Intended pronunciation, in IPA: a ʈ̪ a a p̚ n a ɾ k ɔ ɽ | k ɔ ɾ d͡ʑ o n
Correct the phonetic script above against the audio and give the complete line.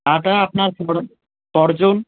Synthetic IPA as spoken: a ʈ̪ a a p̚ n a ɾ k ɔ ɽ | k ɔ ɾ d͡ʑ o n